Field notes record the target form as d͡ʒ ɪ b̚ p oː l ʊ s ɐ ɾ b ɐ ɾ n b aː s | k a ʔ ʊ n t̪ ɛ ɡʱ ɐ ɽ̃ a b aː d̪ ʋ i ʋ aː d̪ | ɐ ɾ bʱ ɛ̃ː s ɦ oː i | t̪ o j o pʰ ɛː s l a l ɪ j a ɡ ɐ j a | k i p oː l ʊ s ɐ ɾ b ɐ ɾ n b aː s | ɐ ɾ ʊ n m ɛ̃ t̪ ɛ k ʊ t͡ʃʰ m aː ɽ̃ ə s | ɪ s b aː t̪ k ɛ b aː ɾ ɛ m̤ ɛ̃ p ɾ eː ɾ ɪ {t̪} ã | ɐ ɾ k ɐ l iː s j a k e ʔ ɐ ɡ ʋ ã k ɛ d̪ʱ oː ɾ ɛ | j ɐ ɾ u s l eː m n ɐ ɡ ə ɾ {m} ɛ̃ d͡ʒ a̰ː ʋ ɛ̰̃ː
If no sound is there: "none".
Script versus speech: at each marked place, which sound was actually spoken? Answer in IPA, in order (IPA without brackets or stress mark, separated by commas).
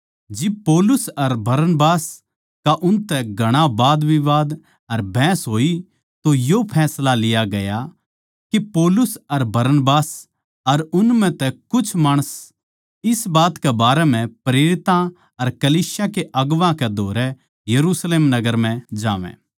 t̪, m